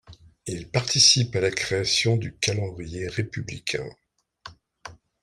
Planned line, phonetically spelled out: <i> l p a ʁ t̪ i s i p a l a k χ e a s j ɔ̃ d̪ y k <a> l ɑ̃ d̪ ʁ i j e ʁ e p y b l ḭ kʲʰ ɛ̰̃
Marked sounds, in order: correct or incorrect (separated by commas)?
correct, correct